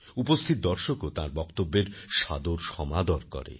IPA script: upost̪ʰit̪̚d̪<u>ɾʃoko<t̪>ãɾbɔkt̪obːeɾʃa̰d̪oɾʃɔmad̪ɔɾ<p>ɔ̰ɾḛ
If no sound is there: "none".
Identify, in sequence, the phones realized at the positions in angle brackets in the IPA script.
ɔ, t̪, k

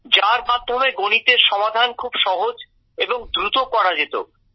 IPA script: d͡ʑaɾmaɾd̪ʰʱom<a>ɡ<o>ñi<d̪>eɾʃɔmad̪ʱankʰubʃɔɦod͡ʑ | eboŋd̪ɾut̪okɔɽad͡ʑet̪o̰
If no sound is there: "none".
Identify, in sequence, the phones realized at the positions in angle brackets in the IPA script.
e, o, t̪

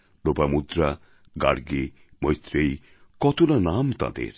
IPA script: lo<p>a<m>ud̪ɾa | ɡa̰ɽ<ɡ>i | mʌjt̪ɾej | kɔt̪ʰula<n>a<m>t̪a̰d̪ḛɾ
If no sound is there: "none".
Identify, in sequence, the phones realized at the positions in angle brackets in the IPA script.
p, m, ɡ, n, m

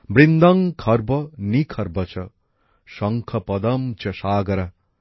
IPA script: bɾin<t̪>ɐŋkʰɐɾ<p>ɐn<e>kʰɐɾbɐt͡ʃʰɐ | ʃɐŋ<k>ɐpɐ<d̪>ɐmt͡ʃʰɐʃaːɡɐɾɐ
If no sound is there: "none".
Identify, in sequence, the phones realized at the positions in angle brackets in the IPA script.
d̪, b, i, kʰ, d̪

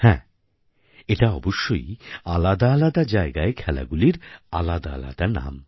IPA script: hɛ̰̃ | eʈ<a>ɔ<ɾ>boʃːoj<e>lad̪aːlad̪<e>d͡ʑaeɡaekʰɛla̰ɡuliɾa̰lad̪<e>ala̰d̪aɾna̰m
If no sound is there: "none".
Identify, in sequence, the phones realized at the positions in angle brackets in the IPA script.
a, none, a, a, a

